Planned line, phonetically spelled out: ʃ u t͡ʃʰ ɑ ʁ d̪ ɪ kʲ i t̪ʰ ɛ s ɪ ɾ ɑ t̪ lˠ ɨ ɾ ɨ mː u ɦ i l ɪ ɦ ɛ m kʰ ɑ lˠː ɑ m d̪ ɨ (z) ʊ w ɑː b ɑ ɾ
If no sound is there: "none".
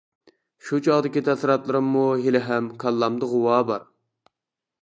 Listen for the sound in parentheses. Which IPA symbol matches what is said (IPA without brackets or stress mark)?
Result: ʁ